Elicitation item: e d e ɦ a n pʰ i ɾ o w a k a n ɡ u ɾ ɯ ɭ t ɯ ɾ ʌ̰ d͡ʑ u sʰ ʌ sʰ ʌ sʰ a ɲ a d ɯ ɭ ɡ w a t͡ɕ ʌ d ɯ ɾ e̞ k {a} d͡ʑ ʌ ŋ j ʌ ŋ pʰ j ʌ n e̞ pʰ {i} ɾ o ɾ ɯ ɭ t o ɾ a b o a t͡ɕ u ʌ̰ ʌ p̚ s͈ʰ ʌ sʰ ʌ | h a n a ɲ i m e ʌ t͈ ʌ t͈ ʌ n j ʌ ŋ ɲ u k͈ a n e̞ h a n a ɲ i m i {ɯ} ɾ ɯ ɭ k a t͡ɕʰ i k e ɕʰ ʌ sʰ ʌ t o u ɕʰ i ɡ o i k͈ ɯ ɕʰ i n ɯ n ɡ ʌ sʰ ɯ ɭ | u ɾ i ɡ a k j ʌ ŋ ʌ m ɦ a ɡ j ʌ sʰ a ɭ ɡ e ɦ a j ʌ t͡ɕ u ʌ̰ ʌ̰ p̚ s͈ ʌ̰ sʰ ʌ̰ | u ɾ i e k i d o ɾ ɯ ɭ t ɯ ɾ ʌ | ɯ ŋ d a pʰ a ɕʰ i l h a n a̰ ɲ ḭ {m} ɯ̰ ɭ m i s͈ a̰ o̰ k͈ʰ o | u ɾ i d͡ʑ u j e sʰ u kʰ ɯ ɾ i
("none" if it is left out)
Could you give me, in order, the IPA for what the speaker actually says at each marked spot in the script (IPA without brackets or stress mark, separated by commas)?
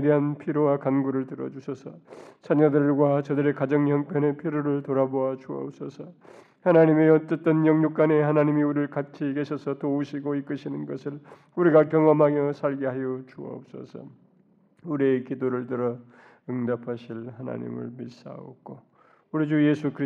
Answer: a, i, u, m